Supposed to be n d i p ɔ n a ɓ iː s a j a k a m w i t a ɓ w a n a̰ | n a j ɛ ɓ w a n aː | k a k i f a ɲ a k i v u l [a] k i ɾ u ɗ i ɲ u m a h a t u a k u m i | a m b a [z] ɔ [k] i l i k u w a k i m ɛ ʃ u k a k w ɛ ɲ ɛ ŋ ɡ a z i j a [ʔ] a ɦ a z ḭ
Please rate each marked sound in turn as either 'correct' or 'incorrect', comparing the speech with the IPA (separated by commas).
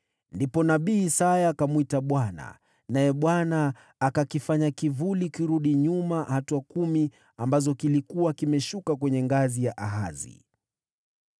incorrect, correct, correct, correct